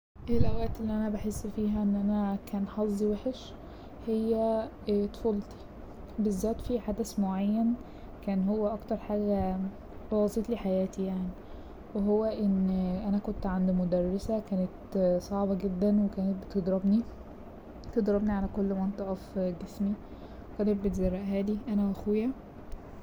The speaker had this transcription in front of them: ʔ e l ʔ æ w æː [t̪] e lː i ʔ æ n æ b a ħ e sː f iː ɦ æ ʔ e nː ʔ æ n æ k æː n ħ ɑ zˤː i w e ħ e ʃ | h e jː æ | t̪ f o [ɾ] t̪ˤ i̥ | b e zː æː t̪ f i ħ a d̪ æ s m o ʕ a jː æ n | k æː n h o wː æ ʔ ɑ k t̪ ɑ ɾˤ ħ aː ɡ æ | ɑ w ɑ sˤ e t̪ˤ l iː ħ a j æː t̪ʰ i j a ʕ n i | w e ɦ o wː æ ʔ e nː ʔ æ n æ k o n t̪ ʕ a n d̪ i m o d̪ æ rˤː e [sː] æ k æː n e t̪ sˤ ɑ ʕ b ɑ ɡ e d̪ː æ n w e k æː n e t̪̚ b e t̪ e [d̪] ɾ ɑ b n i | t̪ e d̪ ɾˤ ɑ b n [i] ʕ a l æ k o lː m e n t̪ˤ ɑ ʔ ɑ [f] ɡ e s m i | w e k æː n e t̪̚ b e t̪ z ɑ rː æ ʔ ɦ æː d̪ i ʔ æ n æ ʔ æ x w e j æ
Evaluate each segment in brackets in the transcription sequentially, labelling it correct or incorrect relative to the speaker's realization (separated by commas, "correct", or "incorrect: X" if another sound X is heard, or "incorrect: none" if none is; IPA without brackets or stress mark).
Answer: correct, incorrect: l, incorrect: s, correct, correct, correct